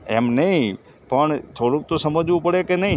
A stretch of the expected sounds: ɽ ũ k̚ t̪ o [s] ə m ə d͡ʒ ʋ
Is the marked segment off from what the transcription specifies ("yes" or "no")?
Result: no